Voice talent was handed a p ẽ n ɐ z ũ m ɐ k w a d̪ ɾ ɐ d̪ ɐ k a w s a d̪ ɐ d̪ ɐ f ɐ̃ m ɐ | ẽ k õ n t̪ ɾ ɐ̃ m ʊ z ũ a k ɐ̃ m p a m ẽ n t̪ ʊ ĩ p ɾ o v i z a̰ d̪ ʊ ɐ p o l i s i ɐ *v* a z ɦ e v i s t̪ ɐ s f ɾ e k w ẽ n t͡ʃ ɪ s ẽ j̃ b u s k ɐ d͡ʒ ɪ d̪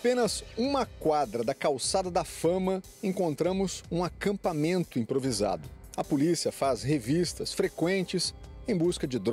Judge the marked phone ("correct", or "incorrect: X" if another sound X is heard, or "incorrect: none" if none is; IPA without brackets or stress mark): incorrect: f